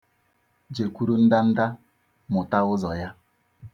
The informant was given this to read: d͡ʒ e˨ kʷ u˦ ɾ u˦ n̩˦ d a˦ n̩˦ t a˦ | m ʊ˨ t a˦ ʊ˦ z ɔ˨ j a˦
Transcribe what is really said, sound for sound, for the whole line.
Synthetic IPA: d͡ʒ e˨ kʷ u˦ ɾ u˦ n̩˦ d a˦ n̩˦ d a˦ | m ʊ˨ t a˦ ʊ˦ z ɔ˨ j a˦